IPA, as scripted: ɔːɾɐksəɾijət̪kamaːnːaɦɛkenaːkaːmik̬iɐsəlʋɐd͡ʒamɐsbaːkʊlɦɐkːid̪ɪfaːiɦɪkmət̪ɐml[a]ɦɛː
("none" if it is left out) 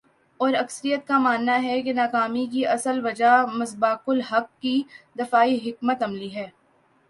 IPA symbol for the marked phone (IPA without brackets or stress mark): i